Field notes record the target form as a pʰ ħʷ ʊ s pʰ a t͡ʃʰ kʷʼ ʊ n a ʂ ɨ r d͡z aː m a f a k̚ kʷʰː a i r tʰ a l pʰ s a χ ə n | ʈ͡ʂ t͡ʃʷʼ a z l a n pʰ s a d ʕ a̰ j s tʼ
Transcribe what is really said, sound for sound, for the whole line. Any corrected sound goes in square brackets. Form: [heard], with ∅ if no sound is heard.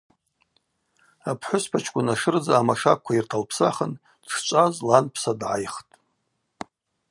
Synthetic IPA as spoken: a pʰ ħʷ ʊ s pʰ a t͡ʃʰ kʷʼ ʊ n a ʂ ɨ r d͡z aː m a [ʂ] a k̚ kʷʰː a i r tʰ a l pʰ s a χ ə n | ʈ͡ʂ t͡ʃʷʼ a z l a n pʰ s a d ʕ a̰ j [χ] tʼ